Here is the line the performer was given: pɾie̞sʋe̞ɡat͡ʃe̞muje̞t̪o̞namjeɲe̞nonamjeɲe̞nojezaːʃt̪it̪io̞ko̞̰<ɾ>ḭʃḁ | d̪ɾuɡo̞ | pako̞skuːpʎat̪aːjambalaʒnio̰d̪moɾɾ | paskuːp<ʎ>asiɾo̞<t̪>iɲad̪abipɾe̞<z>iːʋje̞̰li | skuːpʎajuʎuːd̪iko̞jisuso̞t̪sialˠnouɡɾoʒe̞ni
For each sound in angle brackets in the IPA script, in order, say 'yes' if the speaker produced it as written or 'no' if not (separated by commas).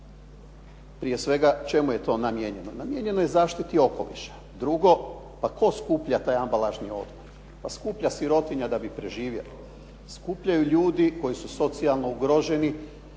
no, yes, yes, no